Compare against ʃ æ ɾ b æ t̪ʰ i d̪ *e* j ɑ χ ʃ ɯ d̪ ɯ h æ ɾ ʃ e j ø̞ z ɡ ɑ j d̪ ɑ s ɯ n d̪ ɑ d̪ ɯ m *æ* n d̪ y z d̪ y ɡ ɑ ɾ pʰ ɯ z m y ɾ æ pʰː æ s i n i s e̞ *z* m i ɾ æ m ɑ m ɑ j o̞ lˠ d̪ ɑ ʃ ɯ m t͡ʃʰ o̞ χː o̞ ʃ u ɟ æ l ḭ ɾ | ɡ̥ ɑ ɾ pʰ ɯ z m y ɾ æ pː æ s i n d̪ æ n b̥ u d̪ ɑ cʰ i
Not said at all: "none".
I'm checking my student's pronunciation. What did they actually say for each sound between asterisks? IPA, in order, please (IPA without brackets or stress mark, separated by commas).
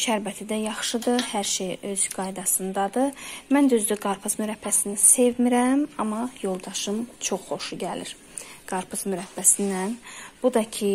æ, æ, v